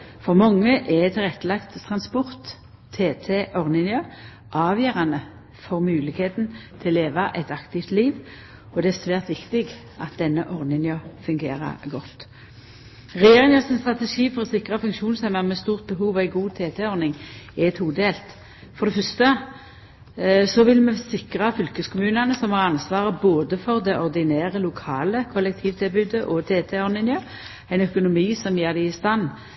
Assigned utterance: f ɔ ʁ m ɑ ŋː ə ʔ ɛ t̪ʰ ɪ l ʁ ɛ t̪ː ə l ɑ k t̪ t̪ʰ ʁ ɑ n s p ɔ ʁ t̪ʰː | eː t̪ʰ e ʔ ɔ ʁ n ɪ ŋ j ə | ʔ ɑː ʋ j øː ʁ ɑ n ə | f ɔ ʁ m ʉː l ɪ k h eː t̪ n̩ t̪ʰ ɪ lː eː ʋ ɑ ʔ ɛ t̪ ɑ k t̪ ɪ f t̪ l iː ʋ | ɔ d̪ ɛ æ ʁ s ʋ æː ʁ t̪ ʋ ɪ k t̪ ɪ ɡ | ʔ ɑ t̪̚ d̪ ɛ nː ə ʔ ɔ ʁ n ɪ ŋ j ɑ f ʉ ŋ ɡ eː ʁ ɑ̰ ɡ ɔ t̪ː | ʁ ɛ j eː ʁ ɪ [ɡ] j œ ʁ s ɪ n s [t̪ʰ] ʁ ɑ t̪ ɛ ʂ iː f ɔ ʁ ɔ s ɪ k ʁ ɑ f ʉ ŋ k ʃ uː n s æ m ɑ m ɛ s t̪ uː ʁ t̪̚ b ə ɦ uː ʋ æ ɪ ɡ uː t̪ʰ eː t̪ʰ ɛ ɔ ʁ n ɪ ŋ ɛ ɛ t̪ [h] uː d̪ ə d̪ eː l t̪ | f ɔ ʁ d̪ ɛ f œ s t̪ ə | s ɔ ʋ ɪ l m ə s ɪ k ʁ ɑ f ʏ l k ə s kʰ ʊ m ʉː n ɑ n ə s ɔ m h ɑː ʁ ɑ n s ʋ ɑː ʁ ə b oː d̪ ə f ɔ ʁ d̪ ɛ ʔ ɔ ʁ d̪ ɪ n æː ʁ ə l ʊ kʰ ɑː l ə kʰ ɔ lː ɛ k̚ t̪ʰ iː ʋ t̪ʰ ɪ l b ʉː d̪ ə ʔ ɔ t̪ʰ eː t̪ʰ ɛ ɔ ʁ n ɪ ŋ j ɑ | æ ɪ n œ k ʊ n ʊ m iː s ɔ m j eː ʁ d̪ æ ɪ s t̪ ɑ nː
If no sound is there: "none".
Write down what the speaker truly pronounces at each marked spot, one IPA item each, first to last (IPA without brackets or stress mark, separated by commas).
ŋ, t̪, h